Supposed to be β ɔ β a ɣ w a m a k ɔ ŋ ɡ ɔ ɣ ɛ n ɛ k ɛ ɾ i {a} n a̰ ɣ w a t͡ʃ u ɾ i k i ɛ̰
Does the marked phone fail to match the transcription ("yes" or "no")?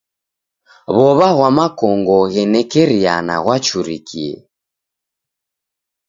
no